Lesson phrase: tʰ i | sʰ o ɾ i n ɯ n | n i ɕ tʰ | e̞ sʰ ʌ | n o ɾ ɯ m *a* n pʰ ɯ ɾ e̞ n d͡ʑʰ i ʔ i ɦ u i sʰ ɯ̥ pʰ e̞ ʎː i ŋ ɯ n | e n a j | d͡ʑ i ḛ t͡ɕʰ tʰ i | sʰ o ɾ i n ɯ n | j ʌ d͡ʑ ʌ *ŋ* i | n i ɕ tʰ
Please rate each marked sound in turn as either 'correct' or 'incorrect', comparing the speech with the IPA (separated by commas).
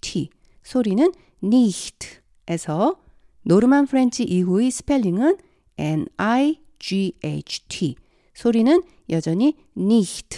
correct, incorrect